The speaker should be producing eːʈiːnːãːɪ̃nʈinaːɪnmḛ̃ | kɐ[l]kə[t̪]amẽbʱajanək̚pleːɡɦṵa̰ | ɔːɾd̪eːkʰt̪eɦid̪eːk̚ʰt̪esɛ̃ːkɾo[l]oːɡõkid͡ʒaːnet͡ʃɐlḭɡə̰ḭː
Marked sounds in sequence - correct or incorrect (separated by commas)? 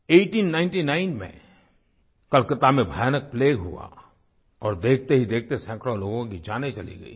correct, correct, correct